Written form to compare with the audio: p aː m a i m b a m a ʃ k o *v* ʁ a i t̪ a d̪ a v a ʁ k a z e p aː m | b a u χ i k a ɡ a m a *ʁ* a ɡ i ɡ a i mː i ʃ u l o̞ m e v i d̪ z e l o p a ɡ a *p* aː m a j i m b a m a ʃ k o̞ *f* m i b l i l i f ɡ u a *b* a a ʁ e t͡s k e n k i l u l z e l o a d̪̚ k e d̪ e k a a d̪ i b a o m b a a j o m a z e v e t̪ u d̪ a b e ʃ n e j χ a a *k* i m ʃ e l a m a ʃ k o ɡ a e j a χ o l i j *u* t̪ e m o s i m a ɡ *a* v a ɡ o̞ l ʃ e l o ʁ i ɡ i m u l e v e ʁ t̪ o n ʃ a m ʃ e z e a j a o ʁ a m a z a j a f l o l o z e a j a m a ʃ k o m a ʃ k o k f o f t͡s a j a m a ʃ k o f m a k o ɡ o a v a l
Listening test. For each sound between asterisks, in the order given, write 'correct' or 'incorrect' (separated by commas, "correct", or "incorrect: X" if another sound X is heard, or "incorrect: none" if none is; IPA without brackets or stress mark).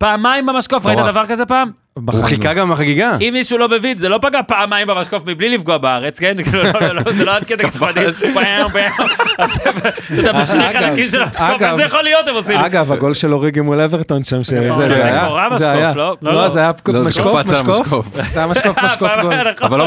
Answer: incorrect: f, incorrect: χ, correct, correct, correct, correct, incorrect: o, correct